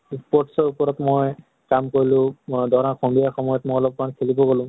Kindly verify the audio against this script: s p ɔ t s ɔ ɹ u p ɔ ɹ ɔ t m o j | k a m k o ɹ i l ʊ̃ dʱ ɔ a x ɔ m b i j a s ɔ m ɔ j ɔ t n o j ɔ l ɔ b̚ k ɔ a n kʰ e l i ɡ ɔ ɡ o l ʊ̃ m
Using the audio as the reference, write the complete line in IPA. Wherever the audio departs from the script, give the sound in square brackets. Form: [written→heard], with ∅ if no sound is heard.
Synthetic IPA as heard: s p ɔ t s ɔ ɹ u p ɔ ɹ ɔ t m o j | k a m k o ɹ i l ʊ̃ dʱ ɔ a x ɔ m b i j a [s→x] ɔ m ɔ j ɔ t [n→m] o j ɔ l ɔ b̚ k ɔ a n kʰ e l i [ɡ→b] ɔ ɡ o l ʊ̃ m